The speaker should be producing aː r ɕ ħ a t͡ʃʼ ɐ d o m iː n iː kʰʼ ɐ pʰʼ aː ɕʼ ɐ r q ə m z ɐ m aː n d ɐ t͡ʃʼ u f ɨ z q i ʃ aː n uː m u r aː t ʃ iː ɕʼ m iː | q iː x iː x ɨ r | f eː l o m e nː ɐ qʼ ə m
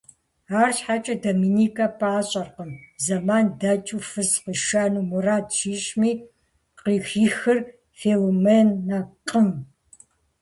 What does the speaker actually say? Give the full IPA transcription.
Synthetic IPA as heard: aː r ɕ ħ a t͡ʃʼ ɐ d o m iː n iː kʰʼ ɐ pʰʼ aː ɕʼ ɐ r q ə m z ɐ m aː n d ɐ t͡ʃʼ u f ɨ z q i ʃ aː n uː m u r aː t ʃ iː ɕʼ m iː | q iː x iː x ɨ r | f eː l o m e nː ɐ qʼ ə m

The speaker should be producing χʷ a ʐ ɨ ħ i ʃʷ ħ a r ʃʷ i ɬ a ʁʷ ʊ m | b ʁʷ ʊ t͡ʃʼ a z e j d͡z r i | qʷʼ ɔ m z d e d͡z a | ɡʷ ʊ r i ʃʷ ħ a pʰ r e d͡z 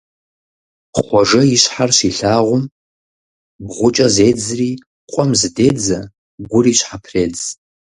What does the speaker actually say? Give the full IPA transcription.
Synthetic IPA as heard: χʷ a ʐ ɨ i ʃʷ ħ a r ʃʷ i ɬ a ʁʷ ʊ m | b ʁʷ ʊ t͡ʃʼ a z e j d͡z r i | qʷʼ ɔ m z d e d͡z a | ɡʷ ʊ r i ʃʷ ħ a pʰ r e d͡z

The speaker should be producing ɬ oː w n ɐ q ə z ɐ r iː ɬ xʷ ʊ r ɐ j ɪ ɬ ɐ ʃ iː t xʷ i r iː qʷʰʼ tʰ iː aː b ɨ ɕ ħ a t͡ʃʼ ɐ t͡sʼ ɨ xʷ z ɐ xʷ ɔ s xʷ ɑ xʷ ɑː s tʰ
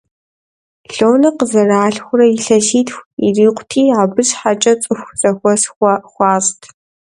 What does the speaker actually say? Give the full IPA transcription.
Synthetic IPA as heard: ɬ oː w n ɐ q ə z ɐ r aː ɬ xʷ ʊ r ɐ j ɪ ɬ ɐ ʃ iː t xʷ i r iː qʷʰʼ tʰ iː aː b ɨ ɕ ħ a t͡ʃʼ ɐ t͡sʼ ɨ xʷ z ɐ xʷ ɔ s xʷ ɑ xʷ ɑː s tʰ

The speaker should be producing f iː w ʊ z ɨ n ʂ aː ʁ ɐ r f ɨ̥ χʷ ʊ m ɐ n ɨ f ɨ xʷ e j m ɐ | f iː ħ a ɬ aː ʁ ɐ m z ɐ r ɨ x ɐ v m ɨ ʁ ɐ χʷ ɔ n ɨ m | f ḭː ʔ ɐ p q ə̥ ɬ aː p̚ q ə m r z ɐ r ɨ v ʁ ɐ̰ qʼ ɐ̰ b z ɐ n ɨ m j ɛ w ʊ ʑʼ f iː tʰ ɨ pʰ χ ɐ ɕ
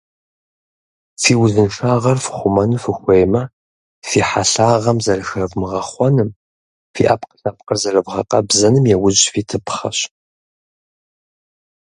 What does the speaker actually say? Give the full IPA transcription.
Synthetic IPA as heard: f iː w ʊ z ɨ n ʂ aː ʁ ɐ r f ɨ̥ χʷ ʊ m ɐ n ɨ f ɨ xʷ e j m ɐ | f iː ħ a ɬ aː ʁ ɐ m z ɐ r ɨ x ɐ v m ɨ ʁ ɐ χʷ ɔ n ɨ m | f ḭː ʔ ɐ p q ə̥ ɬ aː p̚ q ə r z ɐ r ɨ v ʁ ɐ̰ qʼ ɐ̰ b z ɐ n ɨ m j ɛ w ʊ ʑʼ f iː tʰ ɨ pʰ χ ɐ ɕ

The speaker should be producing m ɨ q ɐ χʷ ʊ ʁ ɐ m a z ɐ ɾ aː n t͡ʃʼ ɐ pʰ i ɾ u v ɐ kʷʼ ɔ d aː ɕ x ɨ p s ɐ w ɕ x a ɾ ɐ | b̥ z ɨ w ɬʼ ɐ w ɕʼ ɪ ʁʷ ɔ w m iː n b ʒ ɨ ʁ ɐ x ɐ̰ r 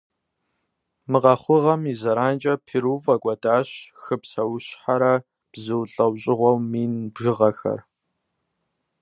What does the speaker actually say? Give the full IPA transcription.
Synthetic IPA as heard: m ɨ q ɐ χʷ ʊ ʁ ɐ m i z ɐ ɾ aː n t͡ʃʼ ɐ pʰ i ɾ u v ɐ kʷʼ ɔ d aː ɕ x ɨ p s ɐ w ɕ ħ a ɾ ɐ | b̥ z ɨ w ɬʼ ɐ w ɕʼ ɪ ʁʷ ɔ w m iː n b ʒ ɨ ʁ ɐ x ɐ̰ r

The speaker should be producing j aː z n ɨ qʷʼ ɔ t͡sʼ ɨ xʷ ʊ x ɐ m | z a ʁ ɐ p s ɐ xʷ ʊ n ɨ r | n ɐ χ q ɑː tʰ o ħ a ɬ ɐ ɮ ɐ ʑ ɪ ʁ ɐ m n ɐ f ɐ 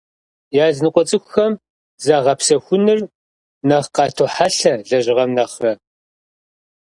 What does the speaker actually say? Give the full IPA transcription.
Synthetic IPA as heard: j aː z n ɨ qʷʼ ɔ t͡sʼ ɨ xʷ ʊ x ɐ m | z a ʁ ɐ p s ɐ xʷ ʊ n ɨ r | n ɐ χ q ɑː tʰ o ħ a ɬ ɐ ɮ ɐ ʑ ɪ ʁ ɐ m n ɐ χ ɐ

